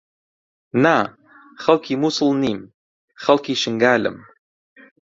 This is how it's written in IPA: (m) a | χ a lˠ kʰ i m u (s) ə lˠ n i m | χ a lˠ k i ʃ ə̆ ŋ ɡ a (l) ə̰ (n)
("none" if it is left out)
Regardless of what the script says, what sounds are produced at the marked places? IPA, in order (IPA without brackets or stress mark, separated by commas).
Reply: n, s, l, m